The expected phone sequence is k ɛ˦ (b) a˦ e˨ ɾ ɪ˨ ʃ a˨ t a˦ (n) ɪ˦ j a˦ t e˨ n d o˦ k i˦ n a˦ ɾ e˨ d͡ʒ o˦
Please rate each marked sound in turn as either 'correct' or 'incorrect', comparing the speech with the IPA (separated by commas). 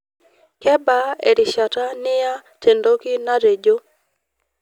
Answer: correct, correct